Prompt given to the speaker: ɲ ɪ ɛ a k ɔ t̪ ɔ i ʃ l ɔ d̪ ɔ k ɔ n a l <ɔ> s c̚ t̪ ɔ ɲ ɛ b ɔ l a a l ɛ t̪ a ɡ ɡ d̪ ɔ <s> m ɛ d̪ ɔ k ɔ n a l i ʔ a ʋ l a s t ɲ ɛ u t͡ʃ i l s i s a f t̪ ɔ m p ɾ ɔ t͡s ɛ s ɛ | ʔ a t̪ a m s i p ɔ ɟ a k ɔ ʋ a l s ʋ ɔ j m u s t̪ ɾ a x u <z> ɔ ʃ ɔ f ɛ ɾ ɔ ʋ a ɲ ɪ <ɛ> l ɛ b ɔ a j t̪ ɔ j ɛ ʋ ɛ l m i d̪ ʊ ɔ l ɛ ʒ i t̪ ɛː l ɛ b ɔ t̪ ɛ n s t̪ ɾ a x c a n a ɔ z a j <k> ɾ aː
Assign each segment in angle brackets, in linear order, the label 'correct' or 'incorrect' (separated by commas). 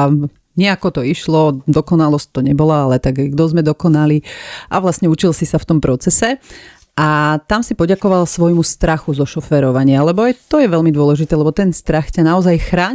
correct, incorrect, correct, incorrect, incorrect